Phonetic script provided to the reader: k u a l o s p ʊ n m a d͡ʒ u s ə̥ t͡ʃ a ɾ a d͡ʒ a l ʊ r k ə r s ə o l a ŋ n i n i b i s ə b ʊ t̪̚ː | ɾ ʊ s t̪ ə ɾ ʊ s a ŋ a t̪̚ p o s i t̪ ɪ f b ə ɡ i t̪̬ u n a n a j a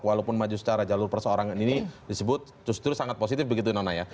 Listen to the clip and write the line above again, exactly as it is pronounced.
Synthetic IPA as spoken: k w a l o p ʊ n m a d͡ʒ u s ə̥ t͡ʃ a ɾ a d͡ʒ a l ʊ r p ə r s ə o ɾ a ŋ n i n i d i s ə b ʊ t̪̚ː | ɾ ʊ s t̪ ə ɾ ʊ s a ŋ a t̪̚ p o s i t̪ ɪ f b ə ɡ i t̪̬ u n a n a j a